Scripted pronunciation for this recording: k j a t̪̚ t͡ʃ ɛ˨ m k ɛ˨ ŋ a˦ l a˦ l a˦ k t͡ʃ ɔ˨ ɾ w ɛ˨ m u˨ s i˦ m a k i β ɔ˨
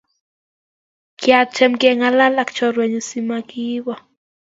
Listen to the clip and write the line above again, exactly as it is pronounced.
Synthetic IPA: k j a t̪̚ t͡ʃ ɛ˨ m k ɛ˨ ŋ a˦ l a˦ l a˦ k t͡ʃ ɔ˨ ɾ w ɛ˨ ɲ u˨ s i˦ m a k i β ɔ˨